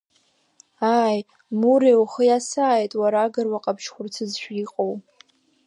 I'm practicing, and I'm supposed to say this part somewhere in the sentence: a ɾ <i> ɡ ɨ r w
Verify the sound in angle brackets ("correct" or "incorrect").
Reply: incorrect